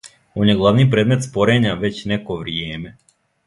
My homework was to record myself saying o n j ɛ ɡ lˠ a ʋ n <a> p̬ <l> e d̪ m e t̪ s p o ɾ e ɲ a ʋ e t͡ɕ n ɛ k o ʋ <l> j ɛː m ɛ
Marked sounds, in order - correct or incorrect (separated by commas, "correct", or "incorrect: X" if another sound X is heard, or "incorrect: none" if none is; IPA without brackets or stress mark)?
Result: incorrect: i, incorrect: ɾ, incorrect: ɾ